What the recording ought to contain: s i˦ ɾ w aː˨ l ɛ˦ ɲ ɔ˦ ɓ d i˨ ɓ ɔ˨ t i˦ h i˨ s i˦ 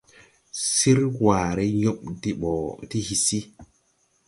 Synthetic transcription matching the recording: s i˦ ɾ w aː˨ ɾ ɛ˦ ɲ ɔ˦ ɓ d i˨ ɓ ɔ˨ t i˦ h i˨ s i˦

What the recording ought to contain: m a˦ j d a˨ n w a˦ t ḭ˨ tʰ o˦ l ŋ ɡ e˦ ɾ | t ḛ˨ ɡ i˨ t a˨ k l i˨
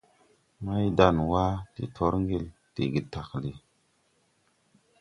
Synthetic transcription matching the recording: m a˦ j d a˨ n w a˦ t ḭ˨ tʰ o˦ ɾ ŋ ɡ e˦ l | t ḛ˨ ɡ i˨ t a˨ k l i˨

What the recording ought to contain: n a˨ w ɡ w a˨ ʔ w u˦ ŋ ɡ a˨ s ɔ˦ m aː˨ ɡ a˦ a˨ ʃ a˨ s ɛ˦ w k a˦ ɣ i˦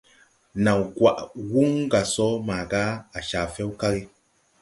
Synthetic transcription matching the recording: n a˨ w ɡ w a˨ ʔ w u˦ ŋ ɡ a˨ s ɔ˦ m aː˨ ɡ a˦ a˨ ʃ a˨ f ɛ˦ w k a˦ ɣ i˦

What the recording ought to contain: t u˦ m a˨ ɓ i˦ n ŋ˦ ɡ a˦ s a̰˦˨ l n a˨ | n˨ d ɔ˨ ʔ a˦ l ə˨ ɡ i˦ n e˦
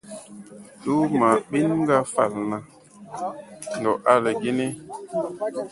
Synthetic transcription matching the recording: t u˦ m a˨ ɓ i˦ n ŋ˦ ɡ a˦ f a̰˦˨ l n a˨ | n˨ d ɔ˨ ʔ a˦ l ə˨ ɡ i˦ n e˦

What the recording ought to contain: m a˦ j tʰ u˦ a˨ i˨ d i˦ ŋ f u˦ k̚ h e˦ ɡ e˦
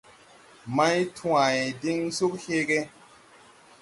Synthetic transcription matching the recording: m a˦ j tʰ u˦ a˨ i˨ d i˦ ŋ s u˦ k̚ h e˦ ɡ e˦

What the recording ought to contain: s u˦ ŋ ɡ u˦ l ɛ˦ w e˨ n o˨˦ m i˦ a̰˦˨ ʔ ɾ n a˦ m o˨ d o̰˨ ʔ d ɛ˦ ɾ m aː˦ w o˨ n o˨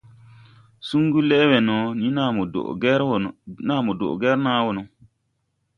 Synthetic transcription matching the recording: s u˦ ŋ ɡ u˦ l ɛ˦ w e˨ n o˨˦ n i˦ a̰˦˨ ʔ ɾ n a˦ m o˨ d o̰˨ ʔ ɡ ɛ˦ ɾ n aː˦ w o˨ n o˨

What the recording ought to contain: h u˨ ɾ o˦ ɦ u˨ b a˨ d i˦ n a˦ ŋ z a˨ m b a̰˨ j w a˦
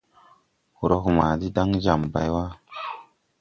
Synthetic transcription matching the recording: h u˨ ɾ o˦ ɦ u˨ m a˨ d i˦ d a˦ ŋ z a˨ m b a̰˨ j w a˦

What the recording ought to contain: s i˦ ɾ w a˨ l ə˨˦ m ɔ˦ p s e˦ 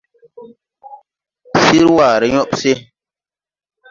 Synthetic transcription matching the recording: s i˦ ɾ w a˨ ɾ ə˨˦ ɲ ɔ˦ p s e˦

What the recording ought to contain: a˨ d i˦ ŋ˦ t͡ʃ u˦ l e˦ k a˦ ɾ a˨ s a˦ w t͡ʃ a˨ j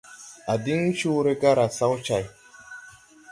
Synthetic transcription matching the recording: a˨ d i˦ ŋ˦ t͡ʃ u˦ ɾ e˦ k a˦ ɾ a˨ s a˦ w t͡ʃ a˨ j

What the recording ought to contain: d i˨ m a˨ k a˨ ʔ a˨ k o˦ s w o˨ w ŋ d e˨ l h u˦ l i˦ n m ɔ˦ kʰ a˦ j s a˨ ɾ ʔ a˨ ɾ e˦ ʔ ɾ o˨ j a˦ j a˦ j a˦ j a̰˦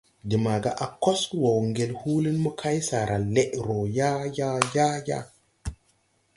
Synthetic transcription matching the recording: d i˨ m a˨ ɡ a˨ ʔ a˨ k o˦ s w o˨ w ŋ ɡ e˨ l h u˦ l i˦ n m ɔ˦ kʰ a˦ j s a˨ ɾ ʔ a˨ l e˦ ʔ ɾ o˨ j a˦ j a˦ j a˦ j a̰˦

